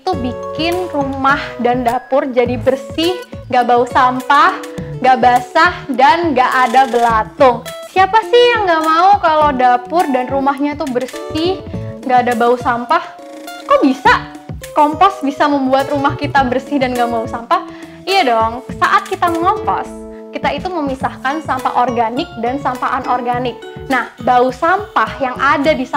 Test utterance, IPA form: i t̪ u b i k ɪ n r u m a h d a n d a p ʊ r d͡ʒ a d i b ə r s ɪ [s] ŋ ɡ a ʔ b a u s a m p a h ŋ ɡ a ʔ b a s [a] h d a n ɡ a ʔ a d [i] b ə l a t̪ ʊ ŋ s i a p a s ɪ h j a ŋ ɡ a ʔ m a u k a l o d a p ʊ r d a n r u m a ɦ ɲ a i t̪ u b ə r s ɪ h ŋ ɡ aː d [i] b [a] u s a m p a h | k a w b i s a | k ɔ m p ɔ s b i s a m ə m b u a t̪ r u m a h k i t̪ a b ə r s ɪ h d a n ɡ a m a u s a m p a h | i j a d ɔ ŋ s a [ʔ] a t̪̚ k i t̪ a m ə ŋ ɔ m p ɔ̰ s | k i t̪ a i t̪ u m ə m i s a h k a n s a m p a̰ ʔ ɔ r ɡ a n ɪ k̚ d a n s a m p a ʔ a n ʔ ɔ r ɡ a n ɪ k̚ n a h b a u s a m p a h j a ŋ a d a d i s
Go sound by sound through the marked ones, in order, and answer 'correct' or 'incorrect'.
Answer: incorrect: h, correct, incorrect: a, incorrect: a, correct, correct

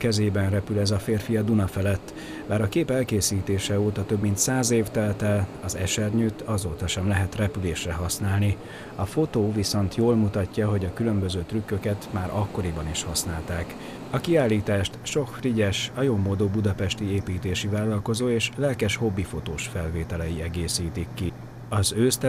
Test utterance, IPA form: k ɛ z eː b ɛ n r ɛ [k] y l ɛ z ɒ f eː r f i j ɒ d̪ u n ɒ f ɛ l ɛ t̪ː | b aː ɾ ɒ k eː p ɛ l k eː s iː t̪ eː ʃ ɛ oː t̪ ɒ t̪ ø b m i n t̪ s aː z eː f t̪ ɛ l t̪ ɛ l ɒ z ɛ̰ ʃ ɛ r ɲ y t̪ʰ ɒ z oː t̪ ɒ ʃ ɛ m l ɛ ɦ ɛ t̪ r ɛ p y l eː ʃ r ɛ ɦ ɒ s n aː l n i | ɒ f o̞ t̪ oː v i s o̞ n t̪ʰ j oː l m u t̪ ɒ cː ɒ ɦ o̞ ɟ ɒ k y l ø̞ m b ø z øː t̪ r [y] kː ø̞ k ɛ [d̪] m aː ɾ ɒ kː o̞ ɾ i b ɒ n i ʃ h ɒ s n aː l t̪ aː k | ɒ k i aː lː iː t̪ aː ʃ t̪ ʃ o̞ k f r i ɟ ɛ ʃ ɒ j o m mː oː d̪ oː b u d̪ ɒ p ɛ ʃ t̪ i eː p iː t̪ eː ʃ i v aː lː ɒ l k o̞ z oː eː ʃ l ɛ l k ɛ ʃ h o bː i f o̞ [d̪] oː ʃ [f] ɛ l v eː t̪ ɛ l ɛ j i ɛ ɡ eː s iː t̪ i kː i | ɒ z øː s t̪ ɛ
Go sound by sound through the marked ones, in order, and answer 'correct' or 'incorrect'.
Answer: incorrect: p, correct, incorrect: t̪, incorrect: t̪, correct

